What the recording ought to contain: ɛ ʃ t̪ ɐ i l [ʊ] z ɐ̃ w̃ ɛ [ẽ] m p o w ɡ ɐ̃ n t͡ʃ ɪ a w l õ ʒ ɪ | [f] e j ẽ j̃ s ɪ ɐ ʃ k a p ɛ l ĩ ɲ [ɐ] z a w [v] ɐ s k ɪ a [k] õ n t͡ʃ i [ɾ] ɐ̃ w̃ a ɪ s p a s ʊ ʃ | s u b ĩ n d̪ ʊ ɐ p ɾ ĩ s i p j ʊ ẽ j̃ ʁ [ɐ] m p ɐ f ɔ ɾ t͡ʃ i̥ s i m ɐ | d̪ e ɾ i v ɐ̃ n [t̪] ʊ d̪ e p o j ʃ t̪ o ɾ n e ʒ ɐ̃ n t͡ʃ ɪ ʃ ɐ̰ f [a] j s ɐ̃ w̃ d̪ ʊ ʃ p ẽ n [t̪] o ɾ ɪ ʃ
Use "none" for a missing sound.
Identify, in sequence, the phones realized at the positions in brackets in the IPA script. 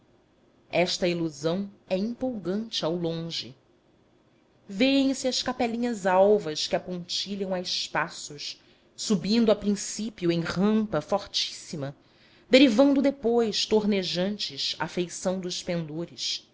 u, ĩ, v, ɐ, v, p, ʎ, ɐ̃, d̪, e, d̪

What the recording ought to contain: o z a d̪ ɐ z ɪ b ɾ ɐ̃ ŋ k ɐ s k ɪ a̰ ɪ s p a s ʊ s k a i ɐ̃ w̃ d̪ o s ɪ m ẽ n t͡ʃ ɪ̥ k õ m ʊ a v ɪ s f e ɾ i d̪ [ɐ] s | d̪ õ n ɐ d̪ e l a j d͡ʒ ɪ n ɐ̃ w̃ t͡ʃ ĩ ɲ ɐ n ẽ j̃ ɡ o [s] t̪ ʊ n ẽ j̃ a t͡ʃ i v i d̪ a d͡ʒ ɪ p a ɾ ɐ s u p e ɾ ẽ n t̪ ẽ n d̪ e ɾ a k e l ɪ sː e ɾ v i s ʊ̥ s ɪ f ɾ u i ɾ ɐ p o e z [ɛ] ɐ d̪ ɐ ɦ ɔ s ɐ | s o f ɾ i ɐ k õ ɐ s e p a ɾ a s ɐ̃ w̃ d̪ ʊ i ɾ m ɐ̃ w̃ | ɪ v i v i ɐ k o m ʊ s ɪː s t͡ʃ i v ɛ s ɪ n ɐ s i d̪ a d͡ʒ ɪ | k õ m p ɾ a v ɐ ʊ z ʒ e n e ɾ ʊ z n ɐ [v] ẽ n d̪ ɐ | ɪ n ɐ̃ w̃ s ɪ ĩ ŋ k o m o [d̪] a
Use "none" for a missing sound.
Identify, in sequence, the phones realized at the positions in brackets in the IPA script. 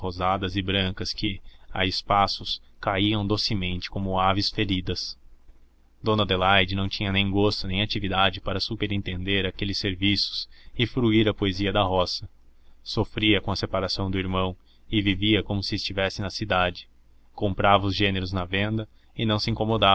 ɐ, s, i, v, d̪

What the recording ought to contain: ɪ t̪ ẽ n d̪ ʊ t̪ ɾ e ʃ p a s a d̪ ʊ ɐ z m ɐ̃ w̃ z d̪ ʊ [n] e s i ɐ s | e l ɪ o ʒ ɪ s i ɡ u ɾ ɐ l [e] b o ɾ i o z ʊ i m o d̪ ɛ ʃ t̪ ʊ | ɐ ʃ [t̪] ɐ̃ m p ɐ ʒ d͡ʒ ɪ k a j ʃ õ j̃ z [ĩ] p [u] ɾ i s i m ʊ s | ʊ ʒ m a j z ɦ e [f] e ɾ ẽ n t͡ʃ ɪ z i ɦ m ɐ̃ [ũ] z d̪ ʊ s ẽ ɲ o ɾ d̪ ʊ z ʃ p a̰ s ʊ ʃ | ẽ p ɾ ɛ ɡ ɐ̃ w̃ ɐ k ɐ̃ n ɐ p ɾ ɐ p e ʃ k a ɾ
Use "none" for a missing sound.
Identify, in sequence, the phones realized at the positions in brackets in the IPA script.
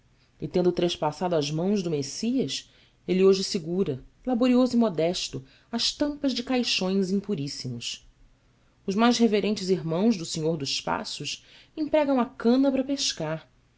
m, a, t̪, ĩ, u, v, w̃

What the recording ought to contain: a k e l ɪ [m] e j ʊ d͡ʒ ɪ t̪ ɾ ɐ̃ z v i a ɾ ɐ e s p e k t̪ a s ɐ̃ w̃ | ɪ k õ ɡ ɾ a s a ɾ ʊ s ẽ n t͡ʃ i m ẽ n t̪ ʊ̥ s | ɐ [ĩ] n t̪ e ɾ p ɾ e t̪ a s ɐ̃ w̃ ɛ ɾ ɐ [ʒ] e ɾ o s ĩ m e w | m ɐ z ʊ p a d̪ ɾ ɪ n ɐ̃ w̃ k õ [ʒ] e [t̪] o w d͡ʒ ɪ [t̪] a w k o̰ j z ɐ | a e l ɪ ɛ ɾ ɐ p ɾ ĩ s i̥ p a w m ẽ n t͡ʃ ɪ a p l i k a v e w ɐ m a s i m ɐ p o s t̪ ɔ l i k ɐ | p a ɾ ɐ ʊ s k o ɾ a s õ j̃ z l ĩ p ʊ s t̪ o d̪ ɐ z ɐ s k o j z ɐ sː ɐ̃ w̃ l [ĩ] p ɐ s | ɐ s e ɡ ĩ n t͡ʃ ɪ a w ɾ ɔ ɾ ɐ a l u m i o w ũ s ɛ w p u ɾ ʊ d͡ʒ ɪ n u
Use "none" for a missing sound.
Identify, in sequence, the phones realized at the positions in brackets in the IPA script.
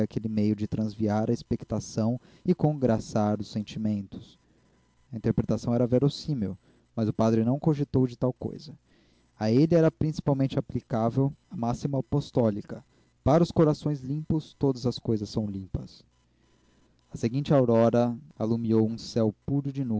m, ĩ, v, ʒ, t̪, t̪, ĩ

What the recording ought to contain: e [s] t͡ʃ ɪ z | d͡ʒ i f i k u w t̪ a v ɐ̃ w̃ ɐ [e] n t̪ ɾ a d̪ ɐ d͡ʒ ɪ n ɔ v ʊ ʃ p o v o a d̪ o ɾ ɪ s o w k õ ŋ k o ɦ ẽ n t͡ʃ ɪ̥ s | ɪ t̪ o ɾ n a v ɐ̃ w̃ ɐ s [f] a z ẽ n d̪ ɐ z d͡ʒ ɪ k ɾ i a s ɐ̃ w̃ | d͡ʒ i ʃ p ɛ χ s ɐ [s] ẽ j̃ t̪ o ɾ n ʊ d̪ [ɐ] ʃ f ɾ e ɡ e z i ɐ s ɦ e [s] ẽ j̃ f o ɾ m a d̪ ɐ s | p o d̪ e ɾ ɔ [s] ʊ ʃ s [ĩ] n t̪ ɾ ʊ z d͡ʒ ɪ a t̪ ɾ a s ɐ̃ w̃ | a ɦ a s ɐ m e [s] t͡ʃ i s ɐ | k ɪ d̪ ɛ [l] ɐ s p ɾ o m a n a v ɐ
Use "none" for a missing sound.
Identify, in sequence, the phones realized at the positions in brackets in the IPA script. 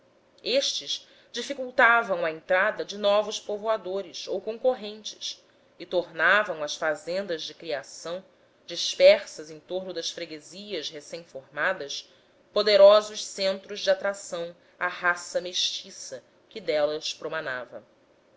ʃ, ẽ, f, z, ɐ, s, z, ẽ, ʃ, l

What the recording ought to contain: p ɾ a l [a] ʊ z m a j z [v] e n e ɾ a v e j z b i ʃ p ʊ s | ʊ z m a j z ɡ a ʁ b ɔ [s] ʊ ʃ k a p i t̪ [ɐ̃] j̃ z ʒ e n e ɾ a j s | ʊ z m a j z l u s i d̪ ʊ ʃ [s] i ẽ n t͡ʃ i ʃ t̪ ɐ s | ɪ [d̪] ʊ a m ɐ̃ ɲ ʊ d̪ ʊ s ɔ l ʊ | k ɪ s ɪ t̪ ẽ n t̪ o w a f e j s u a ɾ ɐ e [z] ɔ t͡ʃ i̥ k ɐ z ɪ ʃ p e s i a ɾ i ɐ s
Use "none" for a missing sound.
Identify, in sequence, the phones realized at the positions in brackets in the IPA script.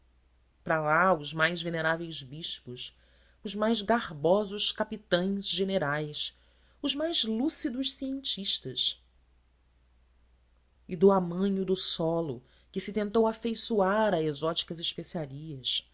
a, v, z, ɐ̃, s, d̪, z

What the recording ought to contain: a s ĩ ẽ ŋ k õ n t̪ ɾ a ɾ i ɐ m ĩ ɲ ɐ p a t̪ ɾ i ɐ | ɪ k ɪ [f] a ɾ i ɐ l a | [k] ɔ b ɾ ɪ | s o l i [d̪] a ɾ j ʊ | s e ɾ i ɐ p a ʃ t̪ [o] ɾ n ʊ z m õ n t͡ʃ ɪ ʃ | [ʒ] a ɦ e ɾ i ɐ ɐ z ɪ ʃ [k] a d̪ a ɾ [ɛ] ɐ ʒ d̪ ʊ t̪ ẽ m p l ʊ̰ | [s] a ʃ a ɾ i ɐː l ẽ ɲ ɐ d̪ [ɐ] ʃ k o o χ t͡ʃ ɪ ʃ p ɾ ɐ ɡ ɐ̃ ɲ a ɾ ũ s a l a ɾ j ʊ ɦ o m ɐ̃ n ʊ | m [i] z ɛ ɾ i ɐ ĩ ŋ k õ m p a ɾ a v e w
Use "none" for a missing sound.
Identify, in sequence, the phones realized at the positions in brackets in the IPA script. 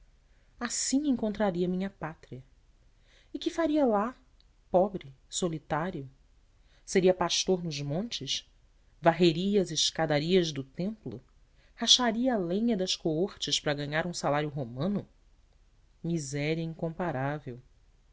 f, p, t̪, o, v, k, i, h, ɐ, i

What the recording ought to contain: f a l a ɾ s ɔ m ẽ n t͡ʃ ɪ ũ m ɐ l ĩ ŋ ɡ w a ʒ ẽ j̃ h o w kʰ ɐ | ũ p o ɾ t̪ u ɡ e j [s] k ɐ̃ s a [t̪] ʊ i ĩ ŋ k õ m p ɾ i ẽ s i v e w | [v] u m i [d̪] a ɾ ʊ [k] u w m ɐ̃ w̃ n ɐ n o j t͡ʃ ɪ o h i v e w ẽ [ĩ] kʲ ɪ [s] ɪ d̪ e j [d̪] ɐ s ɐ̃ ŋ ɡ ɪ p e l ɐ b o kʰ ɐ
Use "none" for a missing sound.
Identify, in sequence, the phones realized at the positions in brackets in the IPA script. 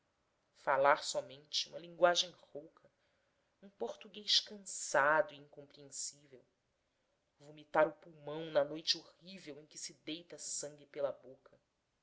ʃ, d̪, v, t̪, p, j̃, s, t̪

